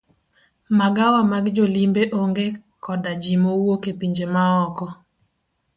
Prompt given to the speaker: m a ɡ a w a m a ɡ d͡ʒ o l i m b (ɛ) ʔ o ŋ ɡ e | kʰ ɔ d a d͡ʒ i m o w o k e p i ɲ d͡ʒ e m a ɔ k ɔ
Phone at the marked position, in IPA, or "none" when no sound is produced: e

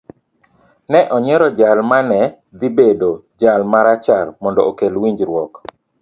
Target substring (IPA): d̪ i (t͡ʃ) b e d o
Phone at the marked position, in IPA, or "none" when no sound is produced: none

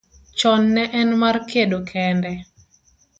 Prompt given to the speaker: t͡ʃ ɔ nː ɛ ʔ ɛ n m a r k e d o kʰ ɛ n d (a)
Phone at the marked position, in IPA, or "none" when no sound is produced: ɛ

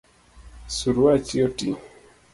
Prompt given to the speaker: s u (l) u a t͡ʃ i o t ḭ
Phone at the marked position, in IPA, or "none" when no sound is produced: ɾ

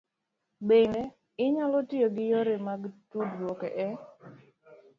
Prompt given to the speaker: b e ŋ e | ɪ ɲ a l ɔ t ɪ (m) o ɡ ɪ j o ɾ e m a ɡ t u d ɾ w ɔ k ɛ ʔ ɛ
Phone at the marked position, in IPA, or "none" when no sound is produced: none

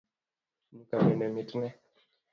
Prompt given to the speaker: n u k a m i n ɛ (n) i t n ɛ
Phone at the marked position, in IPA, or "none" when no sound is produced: m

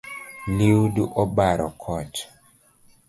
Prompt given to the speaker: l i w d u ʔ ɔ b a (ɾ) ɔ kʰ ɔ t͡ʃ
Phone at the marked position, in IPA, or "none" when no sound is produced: ɾ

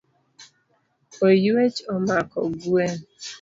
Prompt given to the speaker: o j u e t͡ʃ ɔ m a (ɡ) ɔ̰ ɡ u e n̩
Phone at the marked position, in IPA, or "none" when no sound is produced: k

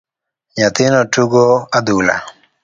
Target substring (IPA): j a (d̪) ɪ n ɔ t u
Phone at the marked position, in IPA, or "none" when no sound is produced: t̪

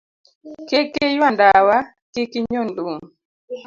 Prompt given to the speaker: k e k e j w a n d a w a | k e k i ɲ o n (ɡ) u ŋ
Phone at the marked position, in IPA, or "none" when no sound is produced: d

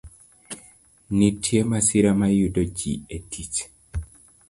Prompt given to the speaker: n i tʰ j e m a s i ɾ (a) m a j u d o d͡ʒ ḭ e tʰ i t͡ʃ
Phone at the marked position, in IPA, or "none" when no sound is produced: a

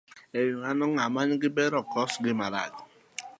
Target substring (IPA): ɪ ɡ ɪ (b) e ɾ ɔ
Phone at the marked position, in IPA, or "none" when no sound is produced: b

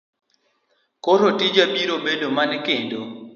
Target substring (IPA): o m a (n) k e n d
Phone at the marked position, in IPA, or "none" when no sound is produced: n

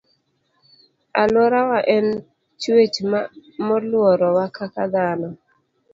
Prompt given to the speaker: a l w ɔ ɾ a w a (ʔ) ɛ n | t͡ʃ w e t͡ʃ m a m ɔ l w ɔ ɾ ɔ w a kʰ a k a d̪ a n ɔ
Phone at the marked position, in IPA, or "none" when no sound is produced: ʔ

